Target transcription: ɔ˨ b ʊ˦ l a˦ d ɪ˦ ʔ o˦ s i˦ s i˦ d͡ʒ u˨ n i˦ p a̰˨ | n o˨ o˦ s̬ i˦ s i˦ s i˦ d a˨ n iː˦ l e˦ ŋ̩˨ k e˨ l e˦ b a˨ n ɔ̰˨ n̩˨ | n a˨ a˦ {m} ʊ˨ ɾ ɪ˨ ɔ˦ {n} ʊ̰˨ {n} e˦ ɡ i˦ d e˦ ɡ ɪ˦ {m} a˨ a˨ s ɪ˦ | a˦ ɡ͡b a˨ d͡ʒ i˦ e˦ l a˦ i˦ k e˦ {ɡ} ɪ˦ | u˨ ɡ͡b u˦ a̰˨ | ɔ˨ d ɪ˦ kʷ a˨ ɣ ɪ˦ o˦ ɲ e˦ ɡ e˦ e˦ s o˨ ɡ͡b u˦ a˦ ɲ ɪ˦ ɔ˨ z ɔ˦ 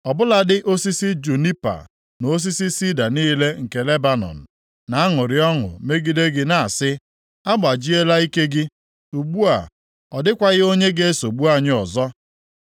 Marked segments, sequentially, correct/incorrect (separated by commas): incorrect, incorrect, incorrect, incorrect, correct